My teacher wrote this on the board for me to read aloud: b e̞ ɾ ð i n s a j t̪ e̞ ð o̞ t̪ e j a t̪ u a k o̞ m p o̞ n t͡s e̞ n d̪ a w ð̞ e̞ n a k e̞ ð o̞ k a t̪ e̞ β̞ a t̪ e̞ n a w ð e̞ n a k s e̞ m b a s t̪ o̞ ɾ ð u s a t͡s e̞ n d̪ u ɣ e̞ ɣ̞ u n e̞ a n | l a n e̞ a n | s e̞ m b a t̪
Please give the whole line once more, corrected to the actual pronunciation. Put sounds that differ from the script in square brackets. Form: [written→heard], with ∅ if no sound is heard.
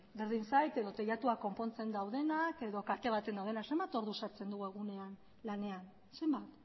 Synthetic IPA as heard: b e̞ ɾ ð i n s a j t̪ e̞ ð o̞ t̪ e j a t̪ u a k o̞ m p o̞ n t͡s e̞ n d̪ a w ð̞ e̞ n a k e̞ ð o̞ k a t̪ e̞ β̞ a t̪ e̞ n a w ð e̞ n a k s e̞ m b a [s→∅] t̪ o̞ ɾ ð u s a t͡s e̞ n d̪ u ɣ e̞ ɣ̞ u n e̞ a n | l a n e̞ a n | s e̞ m b a t̪